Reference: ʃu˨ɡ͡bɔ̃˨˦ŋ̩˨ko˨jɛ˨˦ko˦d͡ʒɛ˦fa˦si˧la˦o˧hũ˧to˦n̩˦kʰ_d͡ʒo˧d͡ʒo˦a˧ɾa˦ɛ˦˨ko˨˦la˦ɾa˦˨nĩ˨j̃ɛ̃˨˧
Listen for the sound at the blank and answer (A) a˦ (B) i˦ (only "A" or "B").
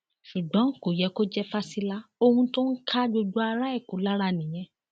A